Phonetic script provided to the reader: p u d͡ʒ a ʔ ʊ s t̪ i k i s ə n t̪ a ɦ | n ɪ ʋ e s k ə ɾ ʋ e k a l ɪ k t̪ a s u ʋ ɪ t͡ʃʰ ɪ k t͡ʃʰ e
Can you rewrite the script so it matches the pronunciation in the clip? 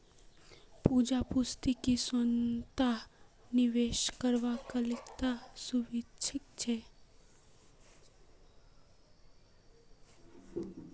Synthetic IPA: p u d͡ʒ a p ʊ s t̪ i k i s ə n t̪ a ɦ | n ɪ ʋ e ʃ k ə ɾ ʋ a k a l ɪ k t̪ a s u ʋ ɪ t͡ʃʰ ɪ k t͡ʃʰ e

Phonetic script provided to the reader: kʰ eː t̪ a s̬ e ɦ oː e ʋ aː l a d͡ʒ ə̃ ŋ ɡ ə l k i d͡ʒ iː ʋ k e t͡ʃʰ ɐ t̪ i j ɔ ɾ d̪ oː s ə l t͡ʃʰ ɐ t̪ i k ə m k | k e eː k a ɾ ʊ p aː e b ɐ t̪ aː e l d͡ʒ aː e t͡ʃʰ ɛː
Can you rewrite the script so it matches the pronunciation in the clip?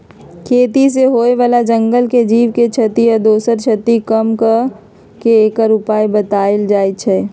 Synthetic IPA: kʰ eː t̪ i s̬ e ɦ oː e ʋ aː l a d͡ʒ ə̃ ŋ ɡ ə l k e d͡ʒ iː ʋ k e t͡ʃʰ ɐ t̪ i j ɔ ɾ d̪ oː s ə ɾ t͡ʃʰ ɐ t̪ i k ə m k | k e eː k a ɾ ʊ p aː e b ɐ t̪ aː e l d͡ʒ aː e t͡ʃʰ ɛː

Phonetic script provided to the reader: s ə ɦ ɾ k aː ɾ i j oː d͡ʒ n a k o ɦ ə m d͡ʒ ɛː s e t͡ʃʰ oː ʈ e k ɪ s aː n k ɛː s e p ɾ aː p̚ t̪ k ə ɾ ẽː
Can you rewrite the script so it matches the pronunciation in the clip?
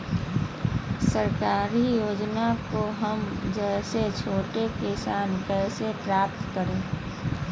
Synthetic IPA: s ə ɾ k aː ɾ i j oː d͡ʒ n a k o ɦ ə m d͡ʒ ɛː s e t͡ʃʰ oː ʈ e k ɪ s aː n k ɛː s e p ɾ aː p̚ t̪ k ə ɾ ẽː

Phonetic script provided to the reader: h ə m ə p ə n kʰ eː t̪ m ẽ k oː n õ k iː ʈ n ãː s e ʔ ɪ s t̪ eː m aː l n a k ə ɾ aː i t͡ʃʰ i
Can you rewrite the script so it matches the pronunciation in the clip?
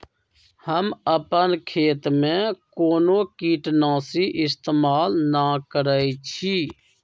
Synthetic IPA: h ə m ə p ə n kʰ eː t̪ m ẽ k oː n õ k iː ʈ n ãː s i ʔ ɪ s t̪ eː m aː l n a k ə ɾ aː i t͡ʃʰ i

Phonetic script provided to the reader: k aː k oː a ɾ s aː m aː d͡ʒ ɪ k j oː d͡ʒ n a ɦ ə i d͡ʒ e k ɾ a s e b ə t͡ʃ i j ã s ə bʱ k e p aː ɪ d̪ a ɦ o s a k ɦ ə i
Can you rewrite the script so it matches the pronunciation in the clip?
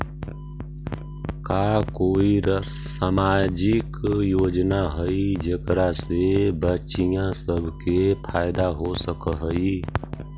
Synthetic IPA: k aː k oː i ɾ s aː m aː d͡ʒ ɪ k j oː d͡ʒ n a ɦ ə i d͡ʒ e k ɾ a s e b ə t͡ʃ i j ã s ə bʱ k e pʰ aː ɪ d̪ a ɦ o s ə k ɦ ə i

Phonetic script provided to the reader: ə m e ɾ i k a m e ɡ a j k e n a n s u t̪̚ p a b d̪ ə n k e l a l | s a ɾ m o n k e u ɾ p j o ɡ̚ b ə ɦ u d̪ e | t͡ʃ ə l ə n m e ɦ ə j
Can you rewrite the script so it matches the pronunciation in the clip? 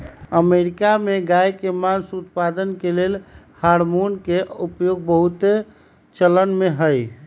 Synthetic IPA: ə m e ɾ i k a m e ɡ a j k e m a n s u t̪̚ p a d̪ ə n k e l e l | h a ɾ m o n k e u p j o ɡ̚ b ə ɦ u t̪ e | t͡ʃ ə l ə n m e ɦ ə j

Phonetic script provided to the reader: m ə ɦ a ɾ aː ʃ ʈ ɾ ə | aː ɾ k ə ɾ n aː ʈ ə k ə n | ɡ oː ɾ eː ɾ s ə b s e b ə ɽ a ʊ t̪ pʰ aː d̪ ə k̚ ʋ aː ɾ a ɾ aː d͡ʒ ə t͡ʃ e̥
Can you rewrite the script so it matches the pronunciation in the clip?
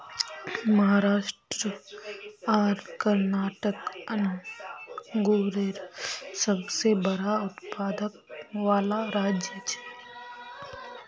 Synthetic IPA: m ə ɦ a ɾ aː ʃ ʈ ɾ ə | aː ɾ k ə ɾ n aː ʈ ə k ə n | ɡ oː ɾ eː ɾ s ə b s e b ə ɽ a ʊ t̪ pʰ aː d̪ ə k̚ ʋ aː l a ɾ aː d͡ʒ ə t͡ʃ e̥

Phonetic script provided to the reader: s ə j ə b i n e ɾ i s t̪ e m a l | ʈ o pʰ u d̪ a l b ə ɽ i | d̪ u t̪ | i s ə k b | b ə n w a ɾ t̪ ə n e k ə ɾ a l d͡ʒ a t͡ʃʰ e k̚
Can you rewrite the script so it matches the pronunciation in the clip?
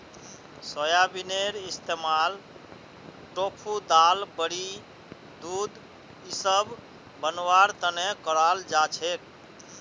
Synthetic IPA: s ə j a b i n e ɾ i s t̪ e m a l | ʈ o pʰ u d̪ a l b ə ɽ i | d̪ u d̪ | i s ə b | b ə n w a ɾ t̪ ə n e k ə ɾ a l d͡ʒ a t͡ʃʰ e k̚

